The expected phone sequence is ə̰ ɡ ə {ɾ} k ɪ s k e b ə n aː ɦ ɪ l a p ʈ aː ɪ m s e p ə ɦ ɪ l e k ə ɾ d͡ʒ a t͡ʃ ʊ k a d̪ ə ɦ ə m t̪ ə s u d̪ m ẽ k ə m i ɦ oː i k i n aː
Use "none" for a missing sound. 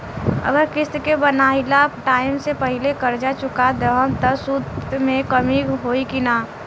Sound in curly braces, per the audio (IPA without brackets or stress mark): ɾ